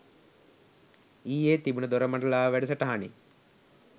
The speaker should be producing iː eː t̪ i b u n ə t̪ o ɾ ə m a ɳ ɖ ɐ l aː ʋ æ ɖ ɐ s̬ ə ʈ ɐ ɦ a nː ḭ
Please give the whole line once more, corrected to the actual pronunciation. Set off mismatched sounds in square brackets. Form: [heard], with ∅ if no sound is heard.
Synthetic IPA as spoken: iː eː t̪ i b u n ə [d̪] o ɾ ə m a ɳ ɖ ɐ l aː ʋ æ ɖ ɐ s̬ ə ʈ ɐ ɦ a [n] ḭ